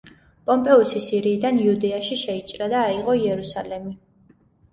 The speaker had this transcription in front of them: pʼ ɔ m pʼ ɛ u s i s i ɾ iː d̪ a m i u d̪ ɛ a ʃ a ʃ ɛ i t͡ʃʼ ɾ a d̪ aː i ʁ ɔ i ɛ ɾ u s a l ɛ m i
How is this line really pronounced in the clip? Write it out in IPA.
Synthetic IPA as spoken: pʼ ɔ m pʼ ɛ u s i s i ɾ iː d̪ a n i u d̪ ɛ a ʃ i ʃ ɛ i t͡ʃʼ ɾ a d̪ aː i ʁ ɔ i ɛ ɾ u s a l ɛ m i

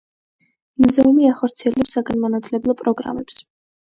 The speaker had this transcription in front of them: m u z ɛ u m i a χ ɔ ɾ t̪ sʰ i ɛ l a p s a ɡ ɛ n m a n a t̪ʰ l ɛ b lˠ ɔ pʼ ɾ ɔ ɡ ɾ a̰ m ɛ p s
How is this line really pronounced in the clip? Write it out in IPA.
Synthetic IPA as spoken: m u z ɛ u m i a χ ɔ ɾ t̪ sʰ i ɛ l ɛ p s a ɡ a n m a n a t̪ʰ l ɛ b lˠ ɔ pʼ ɾ ɔ ɡ ɾ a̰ m ɛ p s

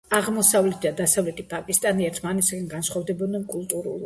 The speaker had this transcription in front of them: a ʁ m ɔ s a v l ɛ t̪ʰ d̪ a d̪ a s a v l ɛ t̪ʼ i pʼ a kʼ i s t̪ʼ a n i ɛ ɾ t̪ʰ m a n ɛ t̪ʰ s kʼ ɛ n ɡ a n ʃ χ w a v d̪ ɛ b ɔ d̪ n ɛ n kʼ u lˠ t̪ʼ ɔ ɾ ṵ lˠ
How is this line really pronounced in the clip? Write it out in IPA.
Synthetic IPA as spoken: a ʁ m ɔ s a v l ɛ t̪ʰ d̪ a d̪ a s a v l ɛ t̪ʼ i pʼ a kʼ i s t̪ʼ a n i ɛ ɾ t̪ʰ m a n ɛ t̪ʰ s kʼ ɛ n ɡ a n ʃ χ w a v d̪ ɛ b ɔ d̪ n ɛ n kʼ u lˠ t̪ʼ u ɾ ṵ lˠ

